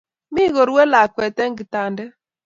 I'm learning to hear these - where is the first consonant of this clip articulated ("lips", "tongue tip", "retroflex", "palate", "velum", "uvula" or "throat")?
lips